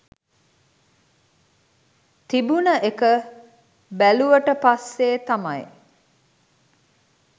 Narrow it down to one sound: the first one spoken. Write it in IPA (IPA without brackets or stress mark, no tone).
t̪